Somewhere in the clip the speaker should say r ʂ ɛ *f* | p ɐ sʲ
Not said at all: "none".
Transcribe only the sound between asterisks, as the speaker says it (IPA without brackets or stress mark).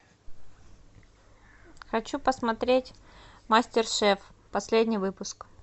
f